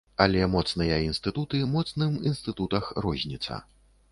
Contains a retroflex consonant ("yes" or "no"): no